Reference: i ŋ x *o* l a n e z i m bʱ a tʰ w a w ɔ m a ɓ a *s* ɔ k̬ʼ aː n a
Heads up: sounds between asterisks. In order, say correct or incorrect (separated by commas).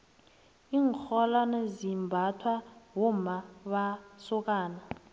incorrect, correct